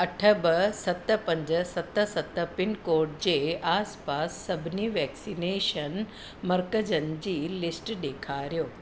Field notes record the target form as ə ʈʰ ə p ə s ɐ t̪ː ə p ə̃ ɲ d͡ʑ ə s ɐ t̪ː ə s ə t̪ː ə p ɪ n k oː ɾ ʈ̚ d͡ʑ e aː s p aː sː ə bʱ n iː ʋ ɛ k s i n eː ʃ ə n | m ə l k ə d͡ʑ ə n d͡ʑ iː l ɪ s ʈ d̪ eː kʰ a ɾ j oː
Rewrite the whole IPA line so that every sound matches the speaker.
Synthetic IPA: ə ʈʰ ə b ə s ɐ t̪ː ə p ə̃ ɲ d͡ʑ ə s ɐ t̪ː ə s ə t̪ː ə p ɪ n k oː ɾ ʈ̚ d͡ʑ e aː s p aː sː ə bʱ n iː ʋ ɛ k s i n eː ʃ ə n | m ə ɾ k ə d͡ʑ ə n d͡ʑ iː l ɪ s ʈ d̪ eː kʰ a ɾ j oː